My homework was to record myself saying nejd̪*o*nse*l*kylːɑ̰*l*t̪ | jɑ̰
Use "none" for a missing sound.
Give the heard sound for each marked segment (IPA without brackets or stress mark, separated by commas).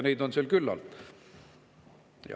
o, l, l